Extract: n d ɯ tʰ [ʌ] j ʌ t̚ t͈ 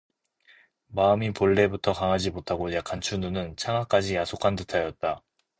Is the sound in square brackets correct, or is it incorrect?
incorrect